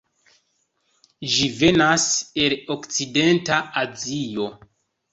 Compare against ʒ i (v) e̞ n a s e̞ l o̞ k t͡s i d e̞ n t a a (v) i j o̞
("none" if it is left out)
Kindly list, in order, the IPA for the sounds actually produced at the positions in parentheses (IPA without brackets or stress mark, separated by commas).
v, z